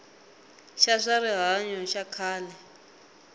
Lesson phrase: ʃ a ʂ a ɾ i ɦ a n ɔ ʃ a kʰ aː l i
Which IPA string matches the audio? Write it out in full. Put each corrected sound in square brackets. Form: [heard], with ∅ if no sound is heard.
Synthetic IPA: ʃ a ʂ a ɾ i ɦ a [ɲ] ɔ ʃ a kʰ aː l [ɛ]

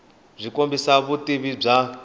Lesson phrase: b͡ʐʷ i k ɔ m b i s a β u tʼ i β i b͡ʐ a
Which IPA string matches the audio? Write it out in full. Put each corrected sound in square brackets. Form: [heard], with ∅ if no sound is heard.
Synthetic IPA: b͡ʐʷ i k [o] m b i s a β u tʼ i β i b͡ʐ a

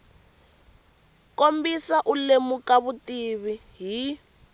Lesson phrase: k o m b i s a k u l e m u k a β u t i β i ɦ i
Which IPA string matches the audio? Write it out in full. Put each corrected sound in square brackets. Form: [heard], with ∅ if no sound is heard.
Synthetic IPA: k o m b i s a [ʔ] u l e m u k a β u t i β i ɦ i

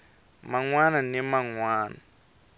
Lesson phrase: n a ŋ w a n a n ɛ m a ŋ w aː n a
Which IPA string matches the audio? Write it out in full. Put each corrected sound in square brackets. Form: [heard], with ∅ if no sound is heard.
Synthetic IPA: [m] a ŋ w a n a n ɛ m a ŋ w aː n a

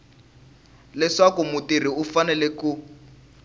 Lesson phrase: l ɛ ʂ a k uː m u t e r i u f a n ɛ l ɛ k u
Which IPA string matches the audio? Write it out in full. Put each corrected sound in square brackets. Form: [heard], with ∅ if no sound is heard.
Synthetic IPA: l ɛ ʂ a k [u] m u t [i] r i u f a n ɛ l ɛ k u

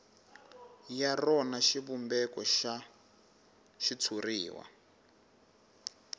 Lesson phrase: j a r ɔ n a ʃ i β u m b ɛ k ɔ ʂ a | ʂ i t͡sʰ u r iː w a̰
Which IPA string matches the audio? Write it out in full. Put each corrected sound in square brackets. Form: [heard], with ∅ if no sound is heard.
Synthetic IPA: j a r ɔ n a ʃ i β u m b ɛ k ɔ [ʃ] a | [ʃ] i t͡sʰ u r iː w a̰

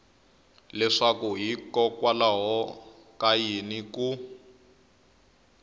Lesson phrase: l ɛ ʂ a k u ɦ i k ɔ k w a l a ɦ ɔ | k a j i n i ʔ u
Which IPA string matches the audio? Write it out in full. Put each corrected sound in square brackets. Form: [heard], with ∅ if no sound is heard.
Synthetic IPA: l ɛ ʂ a k u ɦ i k ɔ k w a l a ɦ ɔ | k a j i n i [k] u

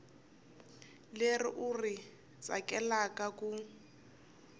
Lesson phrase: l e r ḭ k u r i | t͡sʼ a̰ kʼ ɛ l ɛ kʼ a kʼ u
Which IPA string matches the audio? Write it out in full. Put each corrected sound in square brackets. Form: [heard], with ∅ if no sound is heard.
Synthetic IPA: l e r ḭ [ʔ] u r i | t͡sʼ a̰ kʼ ɛ l [a] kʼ a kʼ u

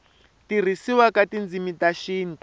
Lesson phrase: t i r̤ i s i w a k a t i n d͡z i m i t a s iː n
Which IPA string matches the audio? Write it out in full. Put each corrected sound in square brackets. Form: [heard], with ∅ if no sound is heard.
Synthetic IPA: t i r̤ i s i w a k a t i n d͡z i m i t a [ʃ] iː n

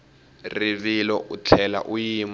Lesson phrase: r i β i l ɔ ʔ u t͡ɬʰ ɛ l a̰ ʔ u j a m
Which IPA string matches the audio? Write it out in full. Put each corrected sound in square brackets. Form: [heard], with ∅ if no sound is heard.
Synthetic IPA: r i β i l ɔ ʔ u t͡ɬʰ ɛ l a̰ ʔ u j [i] m

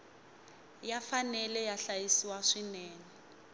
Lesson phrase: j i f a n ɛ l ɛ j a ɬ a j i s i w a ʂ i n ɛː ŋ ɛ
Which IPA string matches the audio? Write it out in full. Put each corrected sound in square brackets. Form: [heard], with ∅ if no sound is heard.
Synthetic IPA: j [a] f a n ɛ l ɛ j a ɬ a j i s i w a ʂ i n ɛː ŋ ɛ

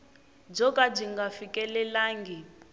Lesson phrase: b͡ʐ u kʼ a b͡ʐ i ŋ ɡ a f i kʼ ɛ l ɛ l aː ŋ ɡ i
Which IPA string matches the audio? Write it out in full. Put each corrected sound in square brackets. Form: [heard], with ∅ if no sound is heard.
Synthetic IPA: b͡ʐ [ɔ] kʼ a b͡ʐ i ŋ ɡ a f i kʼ ɛ l ɛ l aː ŋ ɡ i

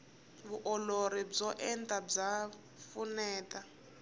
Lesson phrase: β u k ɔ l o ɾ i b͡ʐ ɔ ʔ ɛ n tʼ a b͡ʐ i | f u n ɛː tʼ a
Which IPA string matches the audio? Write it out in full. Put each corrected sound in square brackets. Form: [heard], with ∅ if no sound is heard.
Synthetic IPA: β u [ʔ] ɔ l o ɾ i b͡ʐ ɔ ʔ ɛ n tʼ a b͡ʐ [a] | f u n ɛː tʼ a

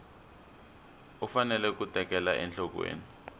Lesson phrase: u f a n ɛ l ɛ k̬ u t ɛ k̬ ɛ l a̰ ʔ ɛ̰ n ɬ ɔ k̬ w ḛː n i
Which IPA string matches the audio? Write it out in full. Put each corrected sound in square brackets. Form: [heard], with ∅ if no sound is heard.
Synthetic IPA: u f a n ɛ l ɛ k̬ u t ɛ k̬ ɛ l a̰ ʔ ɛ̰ n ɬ ɔ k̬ w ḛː n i

